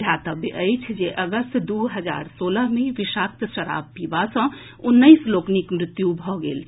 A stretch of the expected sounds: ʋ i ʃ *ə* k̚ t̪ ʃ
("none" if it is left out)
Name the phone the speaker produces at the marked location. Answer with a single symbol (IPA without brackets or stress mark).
a